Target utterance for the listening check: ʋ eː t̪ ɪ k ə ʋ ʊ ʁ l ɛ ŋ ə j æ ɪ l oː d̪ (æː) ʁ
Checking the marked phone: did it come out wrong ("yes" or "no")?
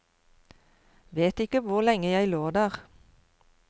no